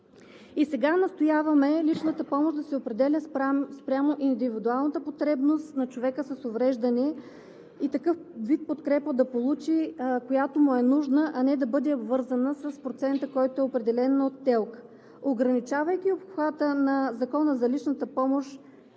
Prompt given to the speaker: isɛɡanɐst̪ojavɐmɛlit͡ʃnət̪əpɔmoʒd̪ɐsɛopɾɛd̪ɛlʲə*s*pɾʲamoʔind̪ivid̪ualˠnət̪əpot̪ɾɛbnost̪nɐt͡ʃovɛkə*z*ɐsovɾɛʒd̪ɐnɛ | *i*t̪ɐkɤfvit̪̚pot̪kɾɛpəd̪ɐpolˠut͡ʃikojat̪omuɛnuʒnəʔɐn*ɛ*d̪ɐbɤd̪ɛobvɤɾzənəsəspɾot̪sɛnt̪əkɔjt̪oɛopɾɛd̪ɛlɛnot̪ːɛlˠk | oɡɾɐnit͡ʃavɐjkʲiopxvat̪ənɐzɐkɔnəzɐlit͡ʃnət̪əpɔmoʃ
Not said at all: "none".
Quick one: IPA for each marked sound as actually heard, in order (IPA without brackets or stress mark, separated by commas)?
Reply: s, s, i, ɛ